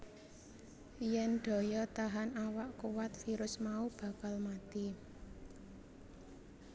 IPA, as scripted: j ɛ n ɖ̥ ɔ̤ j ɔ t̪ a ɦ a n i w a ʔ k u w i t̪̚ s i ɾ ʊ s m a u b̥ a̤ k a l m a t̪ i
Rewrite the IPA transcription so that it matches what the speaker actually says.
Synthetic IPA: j ɛ n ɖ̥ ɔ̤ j ɔ t̪ a ɦ a n a w a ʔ k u w a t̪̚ f i ɾ ʊ s m a u b̥ a̤ k a l m a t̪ i